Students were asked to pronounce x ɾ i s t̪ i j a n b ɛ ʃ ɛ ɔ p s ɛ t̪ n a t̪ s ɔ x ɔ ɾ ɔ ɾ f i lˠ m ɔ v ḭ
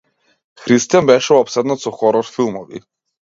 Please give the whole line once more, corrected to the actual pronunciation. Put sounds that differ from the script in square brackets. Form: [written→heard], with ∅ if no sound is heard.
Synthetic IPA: x ɾ i s t̪ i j a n b ɛ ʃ ɛ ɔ p s ɛ [t̪→d̪] n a t̪ s ɔ x ɔ ɾ ɔ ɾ f i lˠ m ɔ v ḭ